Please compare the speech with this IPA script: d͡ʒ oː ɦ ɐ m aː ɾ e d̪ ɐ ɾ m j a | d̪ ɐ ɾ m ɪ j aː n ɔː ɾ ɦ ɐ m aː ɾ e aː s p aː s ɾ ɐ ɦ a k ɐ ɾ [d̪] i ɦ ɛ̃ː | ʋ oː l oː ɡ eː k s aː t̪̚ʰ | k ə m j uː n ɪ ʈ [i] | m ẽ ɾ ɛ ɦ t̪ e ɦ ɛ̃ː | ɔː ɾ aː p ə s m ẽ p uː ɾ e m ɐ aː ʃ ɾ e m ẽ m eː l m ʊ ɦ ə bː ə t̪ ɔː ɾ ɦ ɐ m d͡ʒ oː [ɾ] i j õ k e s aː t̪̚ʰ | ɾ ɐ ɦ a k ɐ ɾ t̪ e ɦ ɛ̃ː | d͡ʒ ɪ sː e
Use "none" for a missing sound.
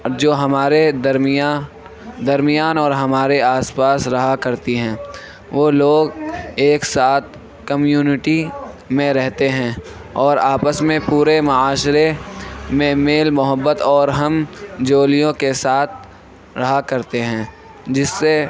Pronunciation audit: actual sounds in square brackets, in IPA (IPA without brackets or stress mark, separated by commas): t̪, i, l